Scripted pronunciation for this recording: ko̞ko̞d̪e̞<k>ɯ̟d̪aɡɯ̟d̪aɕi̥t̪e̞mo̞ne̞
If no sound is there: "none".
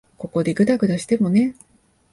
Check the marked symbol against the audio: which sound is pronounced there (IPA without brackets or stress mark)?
ɡ